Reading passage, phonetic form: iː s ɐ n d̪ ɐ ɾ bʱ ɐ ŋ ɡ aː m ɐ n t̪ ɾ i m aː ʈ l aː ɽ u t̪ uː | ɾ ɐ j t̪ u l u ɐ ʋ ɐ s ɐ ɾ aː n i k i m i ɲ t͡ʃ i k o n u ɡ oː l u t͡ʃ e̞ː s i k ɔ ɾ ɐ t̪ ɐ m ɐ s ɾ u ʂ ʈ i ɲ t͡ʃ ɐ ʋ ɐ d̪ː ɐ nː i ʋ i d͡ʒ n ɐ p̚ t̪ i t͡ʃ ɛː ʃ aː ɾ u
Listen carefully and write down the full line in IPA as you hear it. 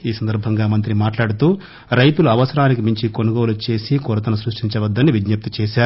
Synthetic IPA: iː s ɐ n d̪ ɐ ɾ bʱ ɐ ŋ ɡ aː m ɐ n t̪ ɾ i m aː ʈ l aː ɽ u t̪ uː | ɾ ɐ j t̪ u l u ɐ ʋ ɐ s ɐ ɾ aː n i k i m i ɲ t͡ʃ i k o n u ɡ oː l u t͡ʃ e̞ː s i k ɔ ɾ ɐ t̪ ɐ n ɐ s ɾ u ʂ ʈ i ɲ t͡ʃ ɐ ʋ ɐ d̪ː ɐ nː i ʋ i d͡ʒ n ɐ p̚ t̪ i t͡ʃ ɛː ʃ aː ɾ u